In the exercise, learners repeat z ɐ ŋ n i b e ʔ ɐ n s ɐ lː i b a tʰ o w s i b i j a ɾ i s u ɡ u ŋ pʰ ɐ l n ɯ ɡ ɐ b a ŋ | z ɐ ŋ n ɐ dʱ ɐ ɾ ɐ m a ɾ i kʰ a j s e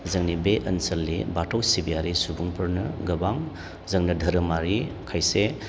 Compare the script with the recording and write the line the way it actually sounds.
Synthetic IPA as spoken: z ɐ ŋ n i b e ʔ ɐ n s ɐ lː i b a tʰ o w s i b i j a ɾ i s u b u ŋ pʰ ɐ ɾ n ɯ ɡ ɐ b a ŋ | z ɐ ŋ n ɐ dʱ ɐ ɾ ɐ m a ɾ i kʰ a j s e

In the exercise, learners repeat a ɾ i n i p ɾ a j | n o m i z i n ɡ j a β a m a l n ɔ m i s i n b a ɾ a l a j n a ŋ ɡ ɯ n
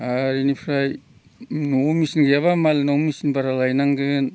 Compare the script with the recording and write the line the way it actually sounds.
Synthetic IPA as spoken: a ɾ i n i pʰ ɾ a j | n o m i s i n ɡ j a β a m a l n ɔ m i s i n b a ɾ a l a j n a ŋ ɡ ɯ n

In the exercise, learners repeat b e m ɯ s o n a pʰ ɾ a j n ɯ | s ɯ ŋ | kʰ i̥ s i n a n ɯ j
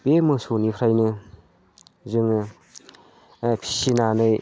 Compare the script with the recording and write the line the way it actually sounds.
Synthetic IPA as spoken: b e m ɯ s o n i pʰ ɾ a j n ɯ | z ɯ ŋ | pʰ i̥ s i n a n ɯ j

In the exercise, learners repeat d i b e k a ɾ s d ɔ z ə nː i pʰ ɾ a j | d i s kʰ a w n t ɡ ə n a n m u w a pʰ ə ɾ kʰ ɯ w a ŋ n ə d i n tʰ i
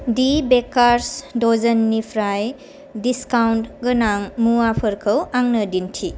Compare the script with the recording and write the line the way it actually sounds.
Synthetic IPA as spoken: d i b e k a ɾ s d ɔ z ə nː i pʰ ɾ a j | d i s k a w n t ɡ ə n a ŋ m u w a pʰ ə ɾ kʰ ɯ w a ŋ n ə d i n tʰ i

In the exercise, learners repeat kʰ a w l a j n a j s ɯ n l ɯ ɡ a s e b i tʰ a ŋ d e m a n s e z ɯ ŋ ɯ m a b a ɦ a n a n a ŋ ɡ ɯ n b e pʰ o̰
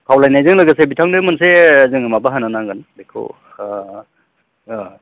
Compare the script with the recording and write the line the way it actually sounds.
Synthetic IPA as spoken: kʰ a w l a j n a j z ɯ ŋ l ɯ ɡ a s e b i tʰ a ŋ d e m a n s e z ɯ ŋ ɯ m a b a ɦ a n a n a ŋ ɡ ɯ n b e kʰ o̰

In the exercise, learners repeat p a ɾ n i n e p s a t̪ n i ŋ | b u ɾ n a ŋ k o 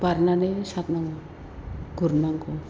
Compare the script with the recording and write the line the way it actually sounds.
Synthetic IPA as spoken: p a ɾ n a n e s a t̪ n a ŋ | ɡ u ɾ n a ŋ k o

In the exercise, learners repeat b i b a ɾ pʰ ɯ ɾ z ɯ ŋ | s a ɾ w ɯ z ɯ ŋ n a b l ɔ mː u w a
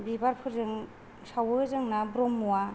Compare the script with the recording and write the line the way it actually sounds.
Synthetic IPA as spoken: b i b a ɾ pʰ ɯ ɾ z ɯ ŋ | s a w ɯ z ɯ ŋ n a b ɾ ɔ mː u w a

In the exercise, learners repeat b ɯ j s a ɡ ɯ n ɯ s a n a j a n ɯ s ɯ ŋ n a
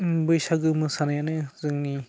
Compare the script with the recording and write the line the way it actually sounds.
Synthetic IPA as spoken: b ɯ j s a ɡ ɯ m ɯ s a n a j a n ɯ z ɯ ŋ n i

